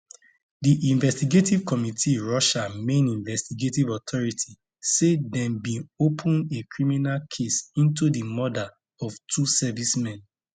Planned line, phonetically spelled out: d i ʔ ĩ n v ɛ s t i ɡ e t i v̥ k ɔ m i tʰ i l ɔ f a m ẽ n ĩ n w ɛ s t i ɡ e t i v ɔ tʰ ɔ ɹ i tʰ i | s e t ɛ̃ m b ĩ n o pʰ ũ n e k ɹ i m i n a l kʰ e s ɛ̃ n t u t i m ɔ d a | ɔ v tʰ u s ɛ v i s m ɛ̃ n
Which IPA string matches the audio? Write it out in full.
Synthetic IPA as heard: d i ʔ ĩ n v ɛ s t i ɡ e t i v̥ k ɔ m i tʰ i ɹ ɔ ʃ a m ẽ n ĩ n v ɛ s t i ɡ e t i v ɔ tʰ ɔ ɹ i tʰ i | s e d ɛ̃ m b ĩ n o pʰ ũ n e k ɹ i m i n a l kʰ e s ĩ n t u d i m ɔ d a | ɔ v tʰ u s ɛ v i s m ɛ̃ n